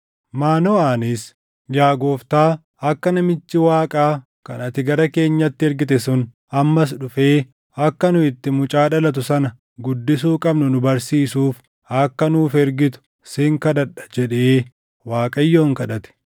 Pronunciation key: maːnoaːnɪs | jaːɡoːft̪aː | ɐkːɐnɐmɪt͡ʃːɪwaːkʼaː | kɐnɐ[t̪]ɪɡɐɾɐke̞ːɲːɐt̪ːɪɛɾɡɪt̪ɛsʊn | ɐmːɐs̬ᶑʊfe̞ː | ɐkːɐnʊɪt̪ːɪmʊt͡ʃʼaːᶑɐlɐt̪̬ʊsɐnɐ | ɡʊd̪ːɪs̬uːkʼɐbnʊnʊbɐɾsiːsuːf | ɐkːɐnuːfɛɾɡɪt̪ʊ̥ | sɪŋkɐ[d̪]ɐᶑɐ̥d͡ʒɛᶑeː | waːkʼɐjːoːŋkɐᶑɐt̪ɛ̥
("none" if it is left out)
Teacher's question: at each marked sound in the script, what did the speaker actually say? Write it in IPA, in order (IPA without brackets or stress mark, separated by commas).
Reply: t̪, d̪